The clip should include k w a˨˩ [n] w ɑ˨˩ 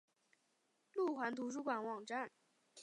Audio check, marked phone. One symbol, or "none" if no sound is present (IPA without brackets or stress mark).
n